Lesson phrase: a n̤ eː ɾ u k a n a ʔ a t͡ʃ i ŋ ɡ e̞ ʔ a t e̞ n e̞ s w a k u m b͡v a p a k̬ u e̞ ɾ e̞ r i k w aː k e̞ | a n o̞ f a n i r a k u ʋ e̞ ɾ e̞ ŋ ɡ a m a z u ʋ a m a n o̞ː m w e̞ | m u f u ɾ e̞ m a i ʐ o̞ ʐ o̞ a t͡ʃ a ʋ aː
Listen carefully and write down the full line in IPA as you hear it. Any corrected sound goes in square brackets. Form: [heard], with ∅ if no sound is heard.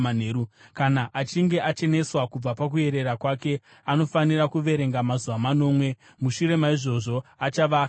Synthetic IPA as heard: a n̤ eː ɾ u k a n a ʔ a t͡ʃ i ŋ ɡ e̞ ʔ a [t͡ʃ] e̞ n e̞ s w a k u [∅] b͡v a p a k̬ u e̞ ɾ e̞ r [a] k w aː k e̞ | a n o̞ f a n i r a k u ʋ e̞ ɾ e̞ ŋ ɡ a m a z u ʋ a m a n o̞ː m w e̞ | m u [ʃ] u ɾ e̞ m a i ʐ o̞ ʐ o̞ a t͡ʃ a ʋ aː